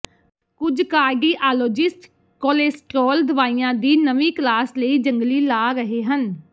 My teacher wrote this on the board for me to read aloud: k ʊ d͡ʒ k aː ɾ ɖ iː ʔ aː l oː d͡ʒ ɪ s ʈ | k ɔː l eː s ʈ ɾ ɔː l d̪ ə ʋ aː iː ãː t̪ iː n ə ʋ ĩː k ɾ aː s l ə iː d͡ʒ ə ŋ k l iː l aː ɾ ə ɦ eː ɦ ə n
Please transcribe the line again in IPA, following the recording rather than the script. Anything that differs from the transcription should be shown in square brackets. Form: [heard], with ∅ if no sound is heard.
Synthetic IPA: k ʊ d͡ʒ k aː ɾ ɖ iː ʔ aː l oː d͡ʒ ɪ s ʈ | k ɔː l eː s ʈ ɾ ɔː l d̪ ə ʋ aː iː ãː [d̪] iː n ə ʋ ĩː k [l] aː s l ə iː d͡ʒ ə ŋ [ɡ] l iː l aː ɾ ə ɦ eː ɦ ə n